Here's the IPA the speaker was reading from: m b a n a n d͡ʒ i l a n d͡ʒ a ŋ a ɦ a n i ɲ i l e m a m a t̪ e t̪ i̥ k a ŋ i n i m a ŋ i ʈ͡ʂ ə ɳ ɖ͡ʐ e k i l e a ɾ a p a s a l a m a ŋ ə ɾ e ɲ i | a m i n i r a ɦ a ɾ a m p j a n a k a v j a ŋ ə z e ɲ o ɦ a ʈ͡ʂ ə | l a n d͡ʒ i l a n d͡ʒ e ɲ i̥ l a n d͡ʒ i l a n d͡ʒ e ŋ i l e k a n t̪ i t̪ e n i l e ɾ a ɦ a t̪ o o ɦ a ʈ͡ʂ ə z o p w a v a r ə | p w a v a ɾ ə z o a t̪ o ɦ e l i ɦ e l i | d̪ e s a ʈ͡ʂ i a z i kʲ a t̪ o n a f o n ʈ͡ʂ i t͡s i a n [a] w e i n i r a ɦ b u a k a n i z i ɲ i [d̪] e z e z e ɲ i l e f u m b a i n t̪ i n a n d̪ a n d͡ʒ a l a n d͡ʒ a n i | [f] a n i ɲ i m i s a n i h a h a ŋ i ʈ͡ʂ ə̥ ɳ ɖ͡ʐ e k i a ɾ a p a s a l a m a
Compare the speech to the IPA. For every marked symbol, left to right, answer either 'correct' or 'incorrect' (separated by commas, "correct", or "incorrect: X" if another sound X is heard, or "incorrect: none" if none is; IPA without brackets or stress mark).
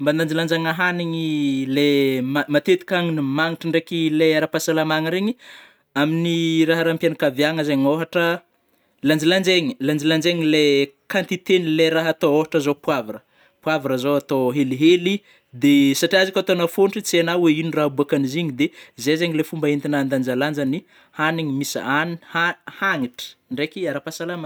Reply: correct, correct, incorrect: h